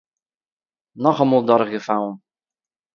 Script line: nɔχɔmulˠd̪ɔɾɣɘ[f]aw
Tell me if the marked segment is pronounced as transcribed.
yes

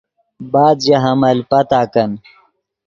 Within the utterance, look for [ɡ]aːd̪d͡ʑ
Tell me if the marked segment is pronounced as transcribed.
no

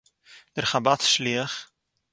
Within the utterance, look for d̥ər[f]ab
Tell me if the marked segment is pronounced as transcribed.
no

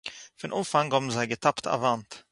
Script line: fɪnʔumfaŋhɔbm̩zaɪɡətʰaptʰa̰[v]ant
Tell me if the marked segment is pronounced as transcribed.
yes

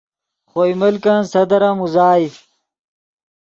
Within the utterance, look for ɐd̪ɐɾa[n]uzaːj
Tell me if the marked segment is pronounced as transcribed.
no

